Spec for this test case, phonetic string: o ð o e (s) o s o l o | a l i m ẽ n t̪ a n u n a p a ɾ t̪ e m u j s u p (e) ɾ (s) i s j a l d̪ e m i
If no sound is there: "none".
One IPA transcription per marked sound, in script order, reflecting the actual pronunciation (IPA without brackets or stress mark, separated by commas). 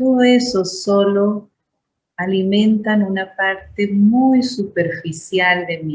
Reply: s, e, f